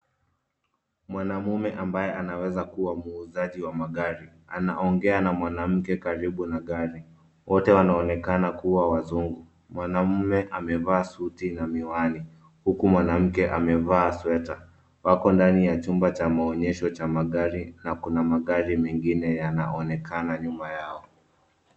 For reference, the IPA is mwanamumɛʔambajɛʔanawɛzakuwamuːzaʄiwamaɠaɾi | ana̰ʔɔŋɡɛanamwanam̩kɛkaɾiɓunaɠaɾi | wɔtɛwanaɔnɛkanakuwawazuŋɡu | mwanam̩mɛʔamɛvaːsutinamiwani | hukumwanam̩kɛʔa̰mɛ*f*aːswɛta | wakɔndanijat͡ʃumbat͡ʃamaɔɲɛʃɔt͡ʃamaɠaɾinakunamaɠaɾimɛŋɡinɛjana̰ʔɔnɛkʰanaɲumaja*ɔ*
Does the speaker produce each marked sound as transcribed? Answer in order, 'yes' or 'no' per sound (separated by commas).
no, yes